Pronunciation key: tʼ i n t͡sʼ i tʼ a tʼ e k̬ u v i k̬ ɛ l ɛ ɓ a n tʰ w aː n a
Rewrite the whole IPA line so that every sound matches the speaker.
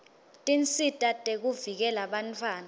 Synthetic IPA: tʼ i n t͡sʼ i tʼ a tʼ e k̬ u v i k̬ ɛ l a ɓ a n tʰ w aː n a